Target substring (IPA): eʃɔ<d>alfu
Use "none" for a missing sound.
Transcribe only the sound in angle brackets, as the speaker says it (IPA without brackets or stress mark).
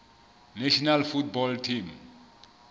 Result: n